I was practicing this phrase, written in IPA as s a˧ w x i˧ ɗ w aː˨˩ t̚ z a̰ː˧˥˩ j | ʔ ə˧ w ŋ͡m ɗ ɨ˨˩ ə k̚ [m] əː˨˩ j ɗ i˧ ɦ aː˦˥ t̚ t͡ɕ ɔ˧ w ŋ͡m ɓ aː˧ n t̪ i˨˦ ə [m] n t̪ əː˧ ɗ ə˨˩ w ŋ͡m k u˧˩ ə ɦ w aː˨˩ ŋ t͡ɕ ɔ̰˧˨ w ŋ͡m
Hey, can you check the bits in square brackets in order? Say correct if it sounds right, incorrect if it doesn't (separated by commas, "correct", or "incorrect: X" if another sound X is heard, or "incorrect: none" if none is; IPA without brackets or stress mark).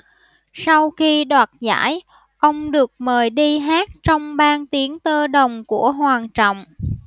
correct, incorrect: none